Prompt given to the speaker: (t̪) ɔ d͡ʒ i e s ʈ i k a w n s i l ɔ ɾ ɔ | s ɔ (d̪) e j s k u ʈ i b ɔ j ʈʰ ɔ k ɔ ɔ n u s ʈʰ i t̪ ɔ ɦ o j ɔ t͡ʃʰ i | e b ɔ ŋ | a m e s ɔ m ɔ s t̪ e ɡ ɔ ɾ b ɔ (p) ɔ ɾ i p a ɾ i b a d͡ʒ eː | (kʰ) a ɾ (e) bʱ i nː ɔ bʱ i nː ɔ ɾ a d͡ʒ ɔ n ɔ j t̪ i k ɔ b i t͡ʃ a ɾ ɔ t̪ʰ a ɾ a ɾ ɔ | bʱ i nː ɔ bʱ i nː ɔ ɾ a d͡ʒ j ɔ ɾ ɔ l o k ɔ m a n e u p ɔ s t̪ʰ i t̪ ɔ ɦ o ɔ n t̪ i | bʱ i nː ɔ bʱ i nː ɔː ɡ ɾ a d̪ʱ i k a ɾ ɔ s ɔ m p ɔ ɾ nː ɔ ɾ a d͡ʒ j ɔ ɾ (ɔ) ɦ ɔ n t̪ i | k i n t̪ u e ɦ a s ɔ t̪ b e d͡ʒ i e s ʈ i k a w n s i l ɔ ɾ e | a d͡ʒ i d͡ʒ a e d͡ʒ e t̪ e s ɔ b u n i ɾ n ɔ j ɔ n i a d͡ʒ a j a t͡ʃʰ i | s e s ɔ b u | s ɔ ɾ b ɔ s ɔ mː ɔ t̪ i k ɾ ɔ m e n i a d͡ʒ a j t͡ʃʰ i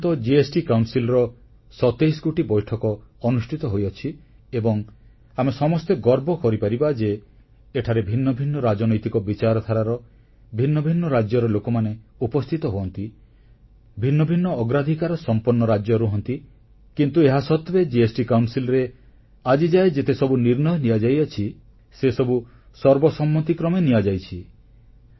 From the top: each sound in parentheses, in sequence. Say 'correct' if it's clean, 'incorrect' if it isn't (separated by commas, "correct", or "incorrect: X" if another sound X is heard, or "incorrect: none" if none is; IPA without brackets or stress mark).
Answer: correct, incorrect: t̪, incorrect: k, incorrect: ʈʰ, correct, incorrect: u